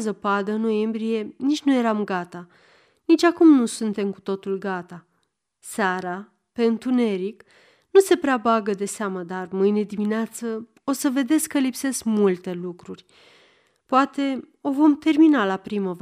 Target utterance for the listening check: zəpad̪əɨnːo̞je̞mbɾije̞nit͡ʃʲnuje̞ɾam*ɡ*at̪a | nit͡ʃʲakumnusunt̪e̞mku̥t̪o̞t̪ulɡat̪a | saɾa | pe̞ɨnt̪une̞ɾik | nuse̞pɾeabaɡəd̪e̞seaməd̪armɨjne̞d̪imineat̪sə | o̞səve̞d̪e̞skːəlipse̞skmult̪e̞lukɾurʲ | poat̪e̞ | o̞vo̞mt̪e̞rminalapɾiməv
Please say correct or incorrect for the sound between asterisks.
correct